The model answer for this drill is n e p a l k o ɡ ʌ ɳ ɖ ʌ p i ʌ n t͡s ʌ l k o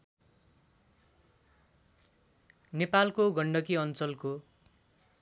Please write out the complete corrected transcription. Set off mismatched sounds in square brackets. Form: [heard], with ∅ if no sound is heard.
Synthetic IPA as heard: n e p a l k o ɡ ʌ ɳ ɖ ʌ [k] i ʌ n t͡s ʌ l k o